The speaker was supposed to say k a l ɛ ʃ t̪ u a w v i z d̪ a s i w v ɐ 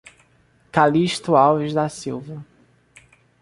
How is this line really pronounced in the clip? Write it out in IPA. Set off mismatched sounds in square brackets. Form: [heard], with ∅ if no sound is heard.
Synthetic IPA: k a l [i] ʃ t̪ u a w v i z d̪ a s i w v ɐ